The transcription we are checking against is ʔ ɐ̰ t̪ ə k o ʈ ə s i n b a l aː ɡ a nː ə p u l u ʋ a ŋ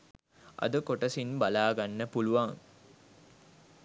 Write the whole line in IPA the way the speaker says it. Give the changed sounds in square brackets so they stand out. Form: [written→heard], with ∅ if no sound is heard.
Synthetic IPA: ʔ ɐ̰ [t̪→d̪] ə k o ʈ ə s i n b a l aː ɡ a nː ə p u l u ʋ a ŋ